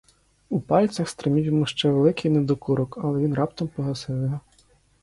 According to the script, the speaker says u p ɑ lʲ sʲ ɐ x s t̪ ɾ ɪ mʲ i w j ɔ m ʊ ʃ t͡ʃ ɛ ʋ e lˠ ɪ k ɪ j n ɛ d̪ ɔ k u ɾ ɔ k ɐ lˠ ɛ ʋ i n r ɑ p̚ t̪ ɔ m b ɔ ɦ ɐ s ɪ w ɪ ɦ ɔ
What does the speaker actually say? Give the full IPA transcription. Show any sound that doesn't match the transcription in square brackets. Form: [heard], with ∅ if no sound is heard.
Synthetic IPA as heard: u p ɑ lʲ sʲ ɐ x s t̪ ɾ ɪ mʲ i w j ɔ m [u] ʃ t͡ʃ ɛ ʋ e lˠ ɪ k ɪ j n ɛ d̪ ɔ k u ɾ ɔ k ɐ lˠ ɛ ʋ i n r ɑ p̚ t̪ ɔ m [p] ɔ ɦ ɐ s ɪ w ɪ ɦ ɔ

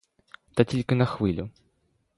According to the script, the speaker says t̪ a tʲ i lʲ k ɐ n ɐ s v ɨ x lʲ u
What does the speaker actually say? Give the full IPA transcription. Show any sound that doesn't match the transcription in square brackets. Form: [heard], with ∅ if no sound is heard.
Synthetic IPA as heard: t̪ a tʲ i lʲ k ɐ n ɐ [x] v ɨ [∅] lʲ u

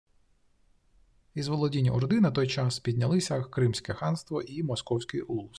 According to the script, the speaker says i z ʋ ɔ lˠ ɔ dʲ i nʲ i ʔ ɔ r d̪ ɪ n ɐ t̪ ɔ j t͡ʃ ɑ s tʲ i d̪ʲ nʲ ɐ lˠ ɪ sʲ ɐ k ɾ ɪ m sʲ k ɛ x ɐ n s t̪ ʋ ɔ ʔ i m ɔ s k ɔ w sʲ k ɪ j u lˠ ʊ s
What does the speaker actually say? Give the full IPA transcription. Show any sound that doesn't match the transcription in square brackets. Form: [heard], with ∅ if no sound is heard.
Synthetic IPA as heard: i z ʋ ɔ lˠ ɔ dʲ i nʲ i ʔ ɔ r d̪ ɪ n ɐ t̪ ɔ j t͡ʃ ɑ s [pʲ] i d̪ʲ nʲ ɐ lˠ ɪ sʲ ɐ k ɾ ɪ m sʲ k ɛ x [ɑ] n s t̪ ʋ ɔ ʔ i m ɔ s k ɔ w sʲ k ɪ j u lˠ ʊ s

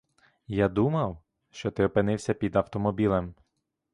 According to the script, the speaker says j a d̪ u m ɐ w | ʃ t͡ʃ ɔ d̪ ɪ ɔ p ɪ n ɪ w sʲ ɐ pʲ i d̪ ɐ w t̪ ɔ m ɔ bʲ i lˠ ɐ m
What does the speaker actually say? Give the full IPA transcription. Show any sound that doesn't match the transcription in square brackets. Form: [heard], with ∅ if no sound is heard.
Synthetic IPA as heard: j a d̪ u m ɐ w | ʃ t͡ʃ ɔ [t̪] ɪ ɔ p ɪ n ɪ w sʲ ɐ pʲ i d̪ ɐ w t̪ ɔ m ɔ bʲ i lˠ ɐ m

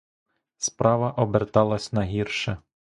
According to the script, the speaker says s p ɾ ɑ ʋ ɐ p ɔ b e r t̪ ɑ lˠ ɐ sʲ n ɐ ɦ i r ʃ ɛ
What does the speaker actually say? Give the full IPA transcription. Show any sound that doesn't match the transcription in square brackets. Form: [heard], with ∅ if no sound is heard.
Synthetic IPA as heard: s p ɾ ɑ ʋ ɐ [ʔ] ɔ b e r t̪ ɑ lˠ ɐ sʲ n ɐ ɦ i r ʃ ɛ

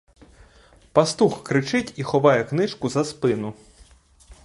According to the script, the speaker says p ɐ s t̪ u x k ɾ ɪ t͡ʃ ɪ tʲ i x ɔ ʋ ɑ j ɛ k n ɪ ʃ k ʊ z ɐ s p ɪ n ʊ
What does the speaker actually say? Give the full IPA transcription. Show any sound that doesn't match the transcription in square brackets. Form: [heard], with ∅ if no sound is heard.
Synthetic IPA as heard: p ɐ s t̪ u x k ɾ ɪ t͡ʃ ɪ tʲ i x ɔ ʋ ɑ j ɛ k n ɪ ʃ k ʊ z ɐ s p ɪ n ʊ

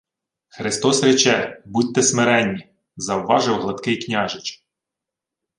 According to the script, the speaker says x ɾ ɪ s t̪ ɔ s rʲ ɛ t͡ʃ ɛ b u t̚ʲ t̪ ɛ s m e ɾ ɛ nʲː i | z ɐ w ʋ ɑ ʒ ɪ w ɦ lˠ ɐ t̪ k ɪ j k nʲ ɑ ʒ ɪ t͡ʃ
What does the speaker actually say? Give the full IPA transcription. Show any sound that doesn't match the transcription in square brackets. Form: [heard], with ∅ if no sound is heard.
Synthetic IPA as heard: x ɾ ɪ s t̪ ɔ s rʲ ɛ t͡ʃ ɛ b u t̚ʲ t̪ ɛ s m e ɾ ɛ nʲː i | z ɐ w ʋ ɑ ʒ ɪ w ɦ lˠ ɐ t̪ k ɪ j k nʲ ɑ ʒ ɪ t͡ʃ

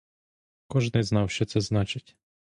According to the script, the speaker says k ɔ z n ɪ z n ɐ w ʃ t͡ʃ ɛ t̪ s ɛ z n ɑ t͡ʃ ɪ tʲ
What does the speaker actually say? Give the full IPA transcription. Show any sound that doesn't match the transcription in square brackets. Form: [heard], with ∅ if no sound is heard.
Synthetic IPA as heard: k ɔ [ʒ] n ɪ z n [ɑ] w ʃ t͡ʃ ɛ t̪ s ɛ z n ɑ t͡ʃ ɪ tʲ

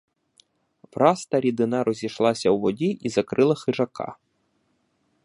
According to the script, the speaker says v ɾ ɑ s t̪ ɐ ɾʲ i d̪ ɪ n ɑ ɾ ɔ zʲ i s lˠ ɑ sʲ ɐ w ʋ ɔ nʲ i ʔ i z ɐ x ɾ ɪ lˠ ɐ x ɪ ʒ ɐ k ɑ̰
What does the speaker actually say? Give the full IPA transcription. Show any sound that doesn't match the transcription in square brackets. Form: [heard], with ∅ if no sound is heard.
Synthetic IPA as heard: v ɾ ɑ s t̪ ɐ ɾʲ i d̪ ɪ n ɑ ɾ ɔ zʲ i [ʃ] lˠ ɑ sʲ ɐ w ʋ ɔ [dʲ] i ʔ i z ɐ [k] ɾ ɪ lˠ ɐ x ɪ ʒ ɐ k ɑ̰

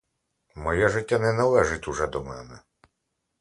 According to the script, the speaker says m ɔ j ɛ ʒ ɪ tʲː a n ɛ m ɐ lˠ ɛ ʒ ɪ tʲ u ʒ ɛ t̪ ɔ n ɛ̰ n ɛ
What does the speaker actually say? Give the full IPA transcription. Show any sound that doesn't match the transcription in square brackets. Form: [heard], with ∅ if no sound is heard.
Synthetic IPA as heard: m ɔ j ɛ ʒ ɪ tʲː a n ɛ [n] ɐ lˠ ɛ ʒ ɪ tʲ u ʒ ɛ [d̪] ɔ [m] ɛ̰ n ɛ

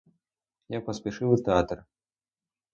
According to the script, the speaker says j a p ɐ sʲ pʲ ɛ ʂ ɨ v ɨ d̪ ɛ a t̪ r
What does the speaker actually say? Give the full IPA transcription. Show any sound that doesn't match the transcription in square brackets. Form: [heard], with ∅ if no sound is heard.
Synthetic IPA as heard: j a p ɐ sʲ pʲ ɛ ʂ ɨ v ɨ [t̪] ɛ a t̪ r

